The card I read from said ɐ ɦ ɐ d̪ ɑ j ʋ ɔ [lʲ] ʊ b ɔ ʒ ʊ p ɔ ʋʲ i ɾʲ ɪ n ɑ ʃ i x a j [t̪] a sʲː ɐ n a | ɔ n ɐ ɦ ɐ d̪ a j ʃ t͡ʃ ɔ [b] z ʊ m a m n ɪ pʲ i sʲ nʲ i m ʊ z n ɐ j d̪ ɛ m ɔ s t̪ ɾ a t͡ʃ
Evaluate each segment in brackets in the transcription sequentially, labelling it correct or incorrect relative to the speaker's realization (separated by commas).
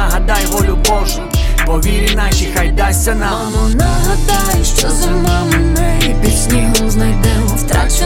correct, incorrect, incorrect